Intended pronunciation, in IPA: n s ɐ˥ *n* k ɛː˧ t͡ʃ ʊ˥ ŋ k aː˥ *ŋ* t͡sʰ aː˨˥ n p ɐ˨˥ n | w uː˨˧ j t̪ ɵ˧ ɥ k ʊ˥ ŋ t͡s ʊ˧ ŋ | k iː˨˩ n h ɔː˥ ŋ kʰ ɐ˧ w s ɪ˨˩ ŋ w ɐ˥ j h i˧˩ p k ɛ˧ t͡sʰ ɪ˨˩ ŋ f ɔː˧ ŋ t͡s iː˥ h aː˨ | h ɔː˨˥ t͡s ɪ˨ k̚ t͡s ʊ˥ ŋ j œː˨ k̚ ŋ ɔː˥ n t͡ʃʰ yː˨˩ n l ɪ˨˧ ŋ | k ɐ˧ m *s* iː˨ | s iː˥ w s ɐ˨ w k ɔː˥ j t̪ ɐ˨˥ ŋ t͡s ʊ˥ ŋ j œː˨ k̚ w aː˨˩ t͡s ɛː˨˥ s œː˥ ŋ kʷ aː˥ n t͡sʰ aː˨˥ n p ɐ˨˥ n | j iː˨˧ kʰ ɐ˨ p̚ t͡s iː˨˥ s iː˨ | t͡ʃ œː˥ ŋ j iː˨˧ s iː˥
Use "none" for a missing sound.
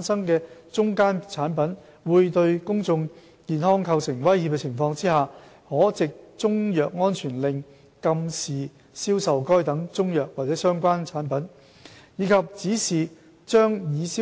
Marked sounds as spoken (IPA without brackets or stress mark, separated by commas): ŋ, n, s